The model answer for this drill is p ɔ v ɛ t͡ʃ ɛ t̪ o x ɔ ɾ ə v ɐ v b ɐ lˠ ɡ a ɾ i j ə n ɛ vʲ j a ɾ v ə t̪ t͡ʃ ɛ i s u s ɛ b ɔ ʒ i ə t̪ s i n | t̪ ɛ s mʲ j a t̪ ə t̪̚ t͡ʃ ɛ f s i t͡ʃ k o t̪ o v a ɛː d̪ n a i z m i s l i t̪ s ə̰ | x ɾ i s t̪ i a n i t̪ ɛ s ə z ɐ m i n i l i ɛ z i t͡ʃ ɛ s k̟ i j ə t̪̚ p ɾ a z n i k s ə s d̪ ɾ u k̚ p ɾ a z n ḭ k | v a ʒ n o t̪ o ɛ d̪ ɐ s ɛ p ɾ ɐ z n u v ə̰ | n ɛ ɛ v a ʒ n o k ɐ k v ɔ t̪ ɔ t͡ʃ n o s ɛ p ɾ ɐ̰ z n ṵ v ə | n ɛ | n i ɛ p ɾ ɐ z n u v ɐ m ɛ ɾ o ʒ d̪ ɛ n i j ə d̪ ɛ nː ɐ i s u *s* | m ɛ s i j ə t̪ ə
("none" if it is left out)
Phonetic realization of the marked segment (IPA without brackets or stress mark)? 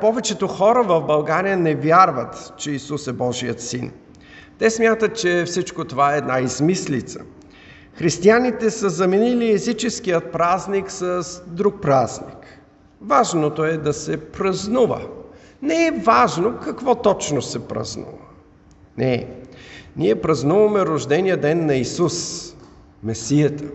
s